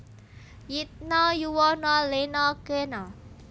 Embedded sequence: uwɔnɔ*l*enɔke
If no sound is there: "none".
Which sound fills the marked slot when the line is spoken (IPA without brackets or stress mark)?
l